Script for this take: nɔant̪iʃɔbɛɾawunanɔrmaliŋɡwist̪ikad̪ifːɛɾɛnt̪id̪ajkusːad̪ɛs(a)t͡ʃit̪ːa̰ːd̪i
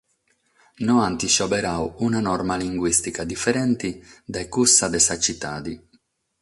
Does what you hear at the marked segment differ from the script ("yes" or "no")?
no